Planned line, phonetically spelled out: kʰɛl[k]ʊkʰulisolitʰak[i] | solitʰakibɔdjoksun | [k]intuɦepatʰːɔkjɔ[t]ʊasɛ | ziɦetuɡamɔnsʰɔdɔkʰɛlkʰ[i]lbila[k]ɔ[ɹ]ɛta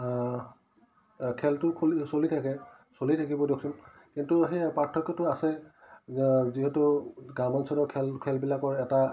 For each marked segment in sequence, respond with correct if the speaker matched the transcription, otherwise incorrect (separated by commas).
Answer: incorrect, incorrect, correct, correct, incorrect, correct, correct